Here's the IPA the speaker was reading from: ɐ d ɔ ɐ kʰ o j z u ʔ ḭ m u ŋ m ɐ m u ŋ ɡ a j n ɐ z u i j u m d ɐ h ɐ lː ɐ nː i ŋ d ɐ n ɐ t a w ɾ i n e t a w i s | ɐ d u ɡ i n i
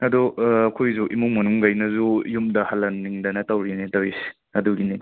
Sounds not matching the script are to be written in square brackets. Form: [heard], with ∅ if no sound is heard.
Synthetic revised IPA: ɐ d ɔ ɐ kʰ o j z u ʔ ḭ m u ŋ m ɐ [n] u ŋ ɡ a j n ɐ z u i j u m d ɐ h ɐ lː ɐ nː i ŋ d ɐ n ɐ t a w ɾ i n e t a w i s | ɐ d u ɡ i n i